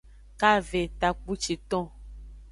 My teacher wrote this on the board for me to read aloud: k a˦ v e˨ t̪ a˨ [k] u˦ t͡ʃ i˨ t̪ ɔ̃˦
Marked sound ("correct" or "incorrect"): incorrect